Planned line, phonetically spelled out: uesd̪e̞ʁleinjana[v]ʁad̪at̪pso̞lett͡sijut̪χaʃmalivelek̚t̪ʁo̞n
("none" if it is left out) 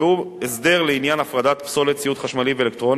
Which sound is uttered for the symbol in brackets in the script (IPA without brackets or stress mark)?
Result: f